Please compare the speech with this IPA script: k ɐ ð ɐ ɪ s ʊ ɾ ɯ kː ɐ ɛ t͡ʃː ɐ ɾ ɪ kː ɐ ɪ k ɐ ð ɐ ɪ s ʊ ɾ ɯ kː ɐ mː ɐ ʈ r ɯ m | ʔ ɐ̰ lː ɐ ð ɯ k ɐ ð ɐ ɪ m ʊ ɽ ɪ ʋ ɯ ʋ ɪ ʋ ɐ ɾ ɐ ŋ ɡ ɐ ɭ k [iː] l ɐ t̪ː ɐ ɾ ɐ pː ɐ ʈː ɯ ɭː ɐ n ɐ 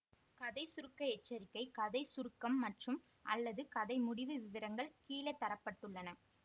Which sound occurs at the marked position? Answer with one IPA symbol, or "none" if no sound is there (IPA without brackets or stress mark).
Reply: iː